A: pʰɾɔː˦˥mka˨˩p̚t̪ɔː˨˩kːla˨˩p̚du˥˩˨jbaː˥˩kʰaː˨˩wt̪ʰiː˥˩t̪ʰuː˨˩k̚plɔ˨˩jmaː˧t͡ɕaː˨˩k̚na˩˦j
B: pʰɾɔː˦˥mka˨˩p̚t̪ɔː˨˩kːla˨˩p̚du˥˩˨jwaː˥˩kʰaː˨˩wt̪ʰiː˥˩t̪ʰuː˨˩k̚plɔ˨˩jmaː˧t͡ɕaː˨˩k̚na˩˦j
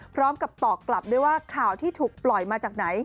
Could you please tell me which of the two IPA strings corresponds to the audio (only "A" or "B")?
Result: B